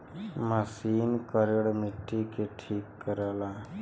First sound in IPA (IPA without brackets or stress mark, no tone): m